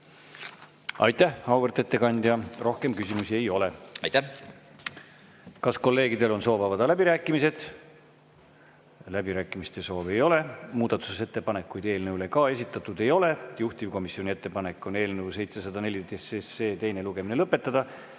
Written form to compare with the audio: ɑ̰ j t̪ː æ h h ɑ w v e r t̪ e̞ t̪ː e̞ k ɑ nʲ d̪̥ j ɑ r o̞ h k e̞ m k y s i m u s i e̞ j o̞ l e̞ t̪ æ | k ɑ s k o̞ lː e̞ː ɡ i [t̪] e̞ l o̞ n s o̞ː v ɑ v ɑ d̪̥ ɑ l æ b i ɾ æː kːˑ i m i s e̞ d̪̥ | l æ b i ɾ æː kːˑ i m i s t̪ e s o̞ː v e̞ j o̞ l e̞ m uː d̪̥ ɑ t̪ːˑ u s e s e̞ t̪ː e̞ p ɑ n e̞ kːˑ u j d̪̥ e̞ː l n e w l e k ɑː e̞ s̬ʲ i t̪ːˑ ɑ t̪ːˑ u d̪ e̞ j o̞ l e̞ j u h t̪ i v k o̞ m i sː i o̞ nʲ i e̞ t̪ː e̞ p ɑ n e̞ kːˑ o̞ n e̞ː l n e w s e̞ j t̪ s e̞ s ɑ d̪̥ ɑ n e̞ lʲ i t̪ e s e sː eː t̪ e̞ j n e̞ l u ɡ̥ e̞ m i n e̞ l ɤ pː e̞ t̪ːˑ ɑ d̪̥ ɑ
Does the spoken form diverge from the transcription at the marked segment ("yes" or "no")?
yes